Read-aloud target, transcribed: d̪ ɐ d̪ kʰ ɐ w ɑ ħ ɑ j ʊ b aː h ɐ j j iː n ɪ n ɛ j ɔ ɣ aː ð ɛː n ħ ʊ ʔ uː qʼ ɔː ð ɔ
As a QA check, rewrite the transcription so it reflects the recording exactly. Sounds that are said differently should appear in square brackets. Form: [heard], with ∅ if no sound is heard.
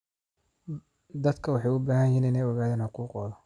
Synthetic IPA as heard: d̪ ɐ d̪ kʰ ɐ w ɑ ħ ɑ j ʊ b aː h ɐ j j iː n ɪ n ɛ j ɔ ɣ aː ð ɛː n ħ ʊ [q] uː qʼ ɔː ð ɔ